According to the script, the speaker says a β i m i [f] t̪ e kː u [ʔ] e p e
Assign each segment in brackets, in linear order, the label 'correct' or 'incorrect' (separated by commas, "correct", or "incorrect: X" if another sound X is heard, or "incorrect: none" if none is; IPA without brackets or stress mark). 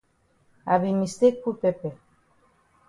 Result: incorrect: s, incorrect: p